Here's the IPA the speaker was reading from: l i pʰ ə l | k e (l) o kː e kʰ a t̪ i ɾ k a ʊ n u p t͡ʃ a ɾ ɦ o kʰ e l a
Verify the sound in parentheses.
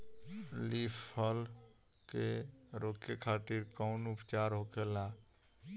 incorrect: ɾ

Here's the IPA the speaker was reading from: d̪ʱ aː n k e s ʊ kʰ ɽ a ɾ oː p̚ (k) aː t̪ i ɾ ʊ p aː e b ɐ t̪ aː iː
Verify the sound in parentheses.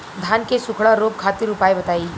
incorrect: kʰ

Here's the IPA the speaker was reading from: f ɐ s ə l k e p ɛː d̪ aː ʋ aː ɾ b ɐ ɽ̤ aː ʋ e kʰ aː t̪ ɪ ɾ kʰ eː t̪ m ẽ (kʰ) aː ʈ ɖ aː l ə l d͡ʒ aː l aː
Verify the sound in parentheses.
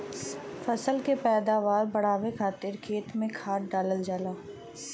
correct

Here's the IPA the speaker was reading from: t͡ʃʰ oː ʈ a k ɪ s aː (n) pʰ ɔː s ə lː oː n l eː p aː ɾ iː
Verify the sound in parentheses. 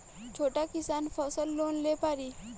correct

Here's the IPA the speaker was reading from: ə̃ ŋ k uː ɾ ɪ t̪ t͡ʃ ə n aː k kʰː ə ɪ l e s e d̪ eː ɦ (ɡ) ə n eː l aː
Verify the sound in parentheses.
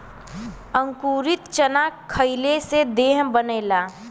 incorrect: b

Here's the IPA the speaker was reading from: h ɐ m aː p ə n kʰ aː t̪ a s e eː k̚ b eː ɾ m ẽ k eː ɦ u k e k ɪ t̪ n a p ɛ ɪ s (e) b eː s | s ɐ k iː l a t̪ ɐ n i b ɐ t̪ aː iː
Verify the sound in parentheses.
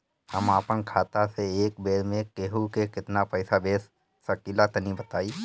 incorrect: a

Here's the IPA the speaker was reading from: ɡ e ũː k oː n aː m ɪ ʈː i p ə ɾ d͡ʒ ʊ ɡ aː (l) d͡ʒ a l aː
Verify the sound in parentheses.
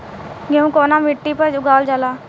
correct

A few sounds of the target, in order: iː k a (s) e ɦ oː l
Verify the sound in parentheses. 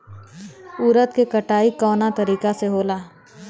correct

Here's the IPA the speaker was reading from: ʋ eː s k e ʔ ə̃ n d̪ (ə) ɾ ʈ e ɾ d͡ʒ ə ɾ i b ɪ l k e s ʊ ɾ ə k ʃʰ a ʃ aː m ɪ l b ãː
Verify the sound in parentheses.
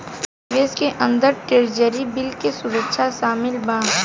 correct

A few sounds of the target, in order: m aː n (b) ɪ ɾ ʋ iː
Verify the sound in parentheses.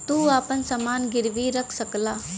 incorrect: ɡ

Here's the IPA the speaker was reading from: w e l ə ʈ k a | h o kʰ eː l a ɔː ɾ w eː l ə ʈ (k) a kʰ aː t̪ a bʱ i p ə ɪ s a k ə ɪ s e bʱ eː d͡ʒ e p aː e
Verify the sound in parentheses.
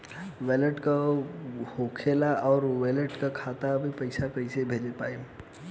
correct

